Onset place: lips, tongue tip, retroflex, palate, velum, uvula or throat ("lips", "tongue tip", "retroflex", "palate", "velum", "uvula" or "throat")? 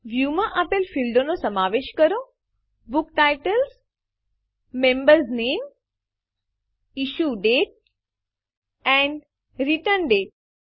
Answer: lips